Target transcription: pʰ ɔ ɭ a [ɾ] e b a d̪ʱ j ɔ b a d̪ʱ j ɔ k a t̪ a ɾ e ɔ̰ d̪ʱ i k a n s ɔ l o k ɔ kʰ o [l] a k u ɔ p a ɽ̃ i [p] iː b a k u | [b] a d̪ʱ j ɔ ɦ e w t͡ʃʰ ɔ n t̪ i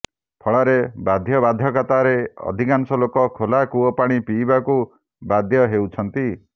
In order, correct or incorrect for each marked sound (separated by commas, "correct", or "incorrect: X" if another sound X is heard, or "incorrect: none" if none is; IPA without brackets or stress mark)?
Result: correct, correct, correct, correct